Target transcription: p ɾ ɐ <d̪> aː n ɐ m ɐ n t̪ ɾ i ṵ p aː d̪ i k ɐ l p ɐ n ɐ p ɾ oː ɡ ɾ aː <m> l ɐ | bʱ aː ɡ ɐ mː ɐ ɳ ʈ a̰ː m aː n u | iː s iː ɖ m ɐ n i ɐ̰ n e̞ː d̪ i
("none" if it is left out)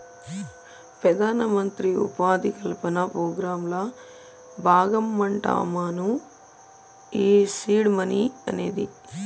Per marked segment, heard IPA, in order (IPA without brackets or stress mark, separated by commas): d̪, m